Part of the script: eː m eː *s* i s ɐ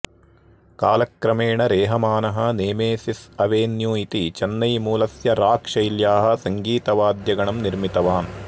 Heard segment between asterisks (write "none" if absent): s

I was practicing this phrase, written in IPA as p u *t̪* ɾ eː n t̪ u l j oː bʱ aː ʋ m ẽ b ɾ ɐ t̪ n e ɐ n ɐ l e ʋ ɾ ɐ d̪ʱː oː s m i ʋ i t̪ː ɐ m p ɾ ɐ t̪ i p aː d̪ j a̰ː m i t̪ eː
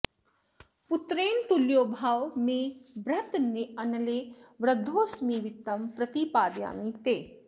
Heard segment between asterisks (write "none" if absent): t̪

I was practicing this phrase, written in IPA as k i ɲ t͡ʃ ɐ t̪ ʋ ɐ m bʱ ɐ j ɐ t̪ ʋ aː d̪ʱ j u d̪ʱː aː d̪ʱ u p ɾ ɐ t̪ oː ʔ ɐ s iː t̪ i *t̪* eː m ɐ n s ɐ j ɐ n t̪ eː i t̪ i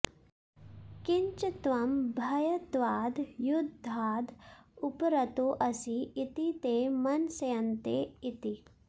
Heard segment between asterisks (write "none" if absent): t̪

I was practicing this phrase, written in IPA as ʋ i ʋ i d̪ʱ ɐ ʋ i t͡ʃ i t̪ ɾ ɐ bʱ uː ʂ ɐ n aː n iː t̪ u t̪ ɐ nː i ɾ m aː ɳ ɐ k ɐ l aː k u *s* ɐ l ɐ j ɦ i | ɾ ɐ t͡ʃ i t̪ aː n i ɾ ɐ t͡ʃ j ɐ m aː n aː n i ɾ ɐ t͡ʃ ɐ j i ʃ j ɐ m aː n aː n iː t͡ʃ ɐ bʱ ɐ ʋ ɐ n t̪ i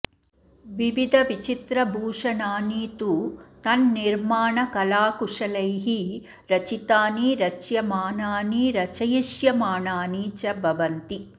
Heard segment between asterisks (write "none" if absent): ʂ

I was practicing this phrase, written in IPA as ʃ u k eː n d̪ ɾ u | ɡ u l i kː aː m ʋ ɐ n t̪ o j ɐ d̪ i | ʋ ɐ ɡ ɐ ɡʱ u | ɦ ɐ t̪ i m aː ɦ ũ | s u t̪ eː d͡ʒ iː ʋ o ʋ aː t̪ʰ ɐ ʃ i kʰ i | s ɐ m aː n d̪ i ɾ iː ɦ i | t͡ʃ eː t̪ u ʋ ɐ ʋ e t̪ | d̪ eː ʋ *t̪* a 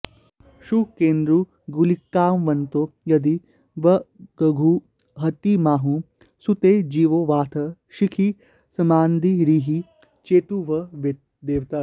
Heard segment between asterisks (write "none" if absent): t̪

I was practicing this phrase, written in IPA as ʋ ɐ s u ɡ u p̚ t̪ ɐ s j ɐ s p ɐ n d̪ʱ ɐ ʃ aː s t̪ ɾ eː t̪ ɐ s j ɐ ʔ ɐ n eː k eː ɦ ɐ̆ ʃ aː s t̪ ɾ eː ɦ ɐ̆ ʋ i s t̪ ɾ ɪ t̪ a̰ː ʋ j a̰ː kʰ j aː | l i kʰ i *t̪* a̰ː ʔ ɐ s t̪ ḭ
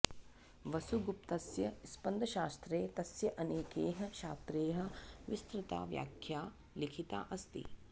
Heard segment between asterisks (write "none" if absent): t̪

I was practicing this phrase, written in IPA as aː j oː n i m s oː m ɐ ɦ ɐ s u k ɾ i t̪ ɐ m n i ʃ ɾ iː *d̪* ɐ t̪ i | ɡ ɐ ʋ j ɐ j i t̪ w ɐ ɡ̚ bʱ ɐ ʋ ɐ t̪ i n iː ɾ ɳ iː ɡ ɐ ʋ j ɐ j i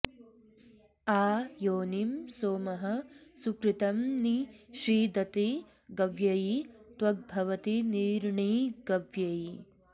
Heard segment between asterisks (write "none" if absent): d̪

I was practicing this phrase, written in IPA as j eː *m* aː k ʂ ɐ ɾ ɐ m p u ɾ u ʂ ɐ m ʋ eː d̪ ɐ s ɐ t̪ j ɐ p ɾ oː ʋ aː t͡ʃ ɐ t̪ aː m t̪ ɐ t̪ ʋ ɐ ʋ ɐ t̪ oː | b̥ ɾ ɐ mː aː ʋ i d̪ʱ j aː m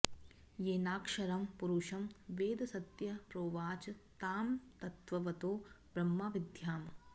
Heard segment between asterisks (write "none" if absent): n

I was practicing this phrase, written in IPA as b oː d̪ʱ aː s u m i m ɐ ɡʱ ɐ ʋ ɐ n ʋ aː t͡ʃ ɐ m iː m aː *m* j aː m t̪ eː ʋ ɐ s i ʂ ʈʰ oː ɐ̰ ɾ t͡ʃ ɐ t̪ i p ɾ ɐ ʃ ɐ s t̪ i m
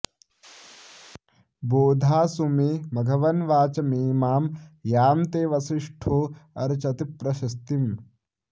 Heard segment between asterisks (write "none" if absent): m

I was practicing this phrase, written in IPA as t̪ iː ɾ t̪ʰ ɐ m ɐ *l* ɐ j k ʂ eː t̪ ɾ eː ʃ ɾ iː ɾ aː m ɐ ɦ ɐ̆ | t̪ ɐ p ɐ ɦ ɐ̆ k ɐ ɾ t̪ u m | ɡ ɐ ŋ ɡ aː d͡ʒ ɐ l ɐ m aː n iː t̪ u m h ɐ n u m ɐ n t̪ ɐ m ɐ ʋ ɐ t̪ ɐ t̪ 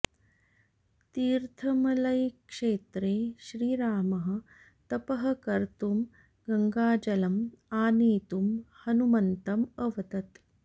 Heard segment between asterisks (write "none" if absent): l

